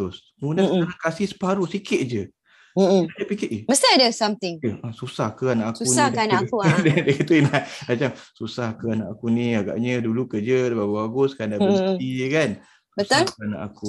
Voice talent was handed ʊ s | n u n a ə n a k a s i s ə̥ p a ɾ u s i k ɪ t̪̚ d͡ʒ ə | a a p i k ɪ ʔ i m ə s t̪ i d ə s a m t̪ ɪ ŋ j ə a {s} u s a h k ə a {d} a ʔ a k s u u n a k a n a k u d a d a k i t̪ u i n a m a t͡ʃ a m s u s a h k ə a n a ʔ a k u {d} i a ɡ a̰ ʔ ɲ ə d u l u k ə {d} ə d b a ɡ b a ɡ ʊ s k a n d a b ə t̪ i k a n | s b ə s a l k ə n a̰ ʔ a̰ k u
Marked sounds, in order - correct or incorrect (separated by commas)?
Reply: correct, incorrect, incorrect, incorrect